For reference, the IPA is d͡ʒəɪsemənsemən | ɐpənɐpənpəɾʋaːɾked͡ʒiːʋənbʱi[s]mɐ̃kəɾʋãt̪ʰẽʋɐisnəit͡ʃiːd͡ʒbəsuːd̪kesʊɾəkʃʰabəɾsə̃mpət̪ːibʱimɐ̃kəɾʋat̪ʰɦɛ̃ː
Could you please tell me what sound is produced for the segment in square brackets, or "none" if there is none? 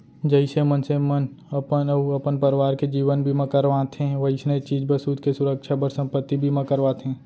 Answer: none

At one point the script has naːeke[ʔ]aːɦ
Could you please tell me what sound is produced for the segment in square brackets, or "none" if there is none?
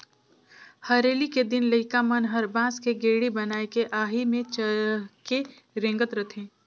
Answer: ʔ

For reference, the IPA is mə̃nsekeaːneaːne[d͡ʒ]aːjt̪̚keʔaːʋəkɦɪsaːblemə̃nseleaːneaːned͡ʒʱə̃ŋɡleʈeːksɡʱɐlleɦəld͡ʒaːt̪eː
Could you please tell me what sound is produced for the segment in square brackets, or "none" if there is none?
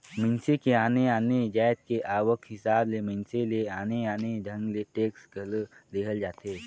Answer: d͡ʒ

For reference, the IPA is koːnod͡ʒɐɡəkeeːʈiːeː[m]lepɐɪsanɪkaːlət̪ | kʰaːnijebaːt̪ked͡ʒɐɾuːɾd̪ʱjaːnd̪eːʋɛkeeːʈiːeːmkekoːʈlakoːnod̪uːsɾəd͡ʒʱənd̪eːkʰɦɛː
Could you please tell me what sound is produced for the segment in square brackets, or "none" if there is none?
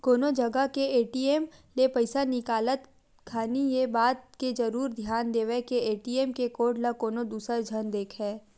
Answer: m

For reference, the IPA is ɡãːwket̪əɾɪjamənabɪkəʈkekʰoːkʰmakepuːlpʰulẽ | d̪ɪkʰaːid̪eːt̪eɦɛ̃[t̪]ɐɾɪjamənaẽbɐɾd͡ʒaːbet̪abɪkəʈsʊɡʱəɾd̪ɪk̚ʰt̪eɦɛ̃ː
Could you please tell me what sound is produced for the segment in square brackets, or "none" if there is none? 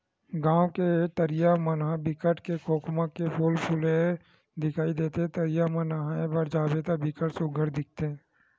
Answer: t̪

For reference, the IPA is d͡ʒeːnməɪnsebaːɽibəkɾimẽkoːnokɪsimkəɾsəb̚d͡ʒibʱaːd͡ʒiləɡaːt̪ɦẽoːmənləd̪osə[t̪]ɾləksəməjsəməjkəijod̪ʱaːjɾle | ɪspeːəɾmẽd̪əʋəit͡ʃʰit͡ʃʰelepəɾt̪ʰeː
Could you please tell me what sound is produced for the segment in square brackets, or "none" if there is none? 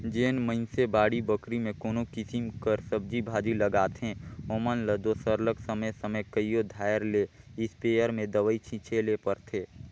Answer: none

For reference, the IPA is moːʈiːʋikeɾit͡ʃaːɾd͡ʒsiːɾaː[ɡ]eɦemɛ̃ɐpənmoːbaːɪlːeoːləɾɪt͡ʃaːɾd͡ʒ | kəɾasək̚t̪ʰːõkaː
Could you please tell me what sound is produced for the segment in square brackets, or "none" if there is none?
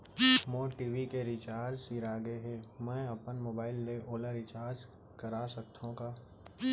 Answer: ɡ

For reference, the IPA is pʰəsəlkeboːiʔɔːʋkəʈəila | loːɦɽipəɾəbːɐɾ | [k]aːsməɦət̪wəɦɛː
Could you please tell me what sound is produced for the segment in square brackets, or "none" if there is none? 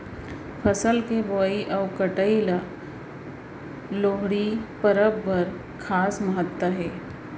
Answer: kʰ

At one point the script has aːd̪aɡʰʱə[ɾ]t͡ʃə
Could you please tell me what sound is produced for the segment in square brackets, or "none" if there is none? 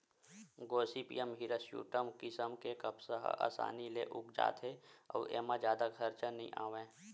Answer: ɾ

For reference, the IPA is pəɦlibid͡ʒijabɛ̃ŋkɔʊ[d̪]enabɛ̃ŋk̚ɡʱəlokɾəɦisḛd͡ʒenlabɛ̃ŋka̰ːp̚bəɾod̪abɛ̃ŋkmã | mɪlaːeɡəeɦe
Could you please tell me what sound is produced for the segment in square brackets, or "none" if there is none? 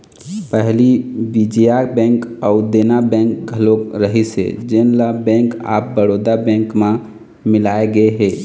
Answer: d̪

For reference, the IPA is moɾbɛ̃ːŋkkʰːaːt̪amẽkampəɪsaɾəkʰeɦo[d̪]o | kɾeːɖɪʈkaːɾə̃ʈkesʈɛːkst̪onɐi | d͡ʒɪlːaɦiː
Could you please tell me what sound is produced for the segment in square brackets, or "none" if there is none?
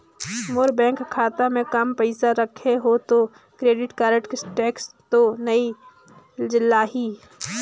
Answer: t̪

